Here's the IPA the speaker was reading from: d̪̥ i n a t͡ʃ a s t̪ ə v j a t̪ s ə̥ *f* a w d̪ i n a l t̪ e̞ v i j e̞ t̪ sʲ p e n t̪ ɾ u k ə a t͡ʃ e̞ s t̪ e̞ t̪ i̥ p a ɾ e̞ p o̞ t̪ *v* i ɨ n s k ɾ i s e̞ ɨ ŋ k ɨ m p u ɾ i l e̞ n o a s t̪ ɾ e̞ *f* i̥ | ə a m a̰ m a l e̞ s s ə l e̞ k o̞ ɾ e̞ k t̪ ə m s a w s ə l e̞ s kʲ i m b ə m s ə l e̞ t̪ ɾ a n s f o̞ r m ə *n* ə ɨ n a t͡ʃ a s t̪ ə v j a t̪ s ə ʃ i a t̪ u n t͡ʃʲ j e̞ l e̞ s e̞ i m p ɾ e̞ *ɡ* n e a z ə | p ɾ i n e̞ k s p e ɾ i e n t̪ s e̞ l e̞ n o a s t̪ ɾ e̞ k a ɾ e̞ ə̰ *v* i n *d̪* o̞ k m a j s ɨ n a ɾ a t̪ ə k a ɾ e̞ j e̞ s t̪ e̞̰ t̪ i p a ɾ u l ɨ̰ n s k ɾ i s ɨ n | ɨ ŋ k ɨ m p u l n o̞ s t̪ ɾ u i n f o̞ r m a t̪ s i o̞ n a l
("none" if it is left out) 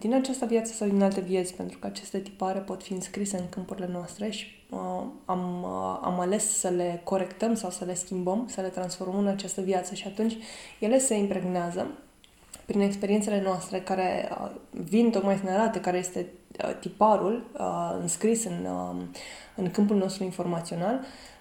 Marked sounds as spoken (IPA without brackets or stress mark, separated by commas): s, f, ʃ, m, ɡ, v, t̪